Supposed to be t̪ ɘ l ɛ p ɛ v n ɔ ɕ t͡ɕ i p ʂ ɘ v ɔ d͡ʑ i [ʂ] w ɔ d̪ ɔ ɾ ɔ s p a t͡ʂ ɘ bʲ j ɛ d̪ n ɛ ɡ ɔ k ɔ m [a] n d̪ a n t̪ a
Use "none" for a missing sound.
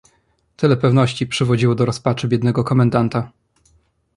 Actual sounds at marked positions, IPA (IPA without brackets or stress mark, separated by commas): none, ɛ